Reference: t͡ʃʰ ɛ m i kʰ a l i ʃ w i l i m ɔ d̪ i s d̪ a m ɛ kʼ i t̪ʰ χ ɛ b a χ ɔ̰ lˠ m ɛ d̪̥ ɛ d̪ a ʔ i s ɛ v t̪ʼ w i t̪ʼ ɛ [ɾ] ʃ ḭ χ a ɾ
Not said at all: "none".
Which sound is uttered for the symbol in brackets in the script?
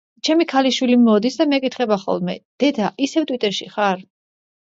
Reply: ɾ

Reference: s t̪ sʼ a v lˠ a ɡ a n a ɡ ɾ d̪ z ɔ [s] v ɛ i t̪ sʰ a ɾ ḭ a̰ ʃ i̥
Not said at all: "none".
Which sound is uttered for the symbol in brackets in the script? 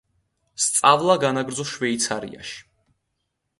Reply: ʃ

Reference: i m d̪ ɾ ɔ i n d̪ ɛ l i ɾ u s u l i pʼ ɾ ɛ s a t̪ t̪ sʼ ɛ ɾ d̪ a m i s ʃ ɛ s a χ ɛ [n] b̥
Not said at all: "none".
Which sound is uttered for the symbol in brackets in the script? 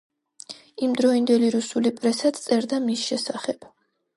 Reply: none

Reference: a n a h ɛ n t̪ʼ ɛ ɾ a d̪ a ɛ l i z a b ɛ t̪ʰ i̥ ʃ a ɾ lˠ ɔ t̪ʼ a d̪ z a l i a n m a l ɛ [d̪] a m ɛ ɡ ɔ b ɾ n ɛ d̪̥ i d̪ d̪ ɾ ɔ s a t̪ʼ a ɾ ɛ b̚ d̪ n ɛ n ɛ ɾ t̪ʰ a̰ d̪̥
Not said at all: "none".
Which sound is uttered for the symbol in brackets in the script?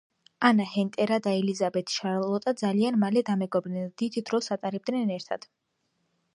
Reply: d̪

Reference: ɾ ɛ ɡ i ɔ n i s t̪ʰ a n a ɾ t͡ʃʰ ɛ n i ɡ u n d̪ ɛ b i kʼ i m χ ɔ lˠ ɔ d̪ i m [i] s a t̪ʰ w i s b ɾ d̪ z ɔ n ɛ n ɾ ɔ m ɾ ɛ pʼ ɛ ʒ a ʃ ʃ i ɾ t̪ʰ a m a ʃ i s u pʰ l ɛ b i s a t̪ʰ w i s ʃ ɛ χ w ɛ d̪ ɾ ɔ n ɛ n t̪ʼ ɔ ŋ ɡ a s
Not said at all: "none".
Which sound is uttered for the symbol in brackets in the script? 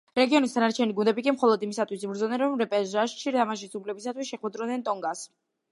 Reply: i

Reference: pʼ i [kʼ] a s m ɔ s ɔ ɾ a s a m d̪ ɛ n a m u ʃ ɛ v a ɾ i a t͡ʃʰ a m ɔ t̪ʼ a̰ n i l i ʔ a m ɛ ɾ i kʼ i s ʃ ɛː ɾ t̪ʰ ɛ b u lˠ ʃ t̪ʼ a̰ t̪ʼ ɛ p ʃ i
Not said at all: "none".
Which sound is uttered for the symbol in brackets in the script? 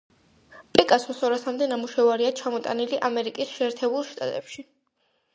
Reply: kʼ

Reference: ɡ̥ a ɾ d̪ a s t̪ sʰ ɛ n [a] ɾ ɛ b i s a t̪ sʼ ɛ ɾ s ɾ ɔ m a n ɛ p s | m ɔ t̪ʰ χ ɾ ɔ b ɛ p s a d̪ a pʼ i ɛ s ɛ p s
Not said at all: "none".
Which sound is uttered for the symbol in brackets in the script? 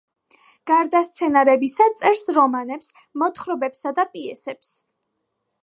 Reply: a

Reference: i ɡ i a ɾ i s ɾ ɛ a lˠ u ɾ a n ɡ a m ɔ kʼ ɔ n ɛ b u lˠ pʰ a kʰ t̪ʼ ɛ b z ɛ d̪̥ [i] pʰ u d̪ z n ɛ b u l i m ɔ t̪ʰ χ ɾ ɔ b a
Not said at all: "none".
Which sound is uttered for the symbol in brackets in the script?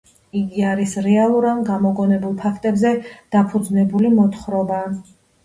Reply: a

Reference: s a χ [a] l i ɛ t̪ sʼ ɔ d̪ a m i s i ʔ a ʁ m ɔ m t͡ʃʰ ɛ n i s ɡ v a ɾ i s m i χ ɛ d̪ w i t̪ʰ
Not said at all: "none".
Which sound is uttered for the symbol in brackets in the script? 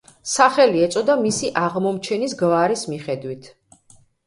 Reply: ɛ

